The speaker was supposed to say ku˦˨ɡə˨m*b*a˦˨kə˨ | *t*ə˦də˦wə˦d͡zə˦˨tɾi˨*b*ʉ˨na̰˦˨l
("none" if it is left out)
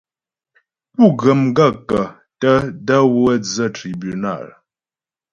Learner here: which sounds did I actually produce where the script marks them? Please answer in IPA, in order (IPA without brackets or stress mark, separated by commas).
ɡ, t, b